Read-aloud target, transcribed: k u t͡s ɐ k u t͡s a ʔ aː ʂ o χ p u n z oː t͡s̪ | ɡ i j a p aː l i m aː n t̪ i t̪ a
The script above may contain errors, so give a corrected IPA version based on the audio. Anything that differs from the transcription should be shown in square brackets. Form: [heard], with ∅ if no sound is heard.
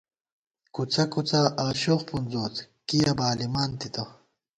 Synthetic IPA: k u t͡s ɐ k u t͡s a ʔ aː [ɕ] o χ p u n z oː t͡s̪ | [k] i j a [b] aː l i m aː n t̪ i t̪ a